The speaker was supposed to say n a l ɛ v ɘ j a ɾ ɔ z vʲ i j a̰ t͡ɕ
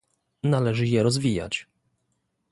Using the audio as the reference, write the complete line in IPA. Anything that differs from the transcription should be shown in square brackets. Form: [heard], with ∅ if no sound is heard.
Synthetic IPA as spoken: n a l ɛ [ʐ] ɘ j [ɛ] ɾ ɔ z vʲ i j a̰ t͡ɕ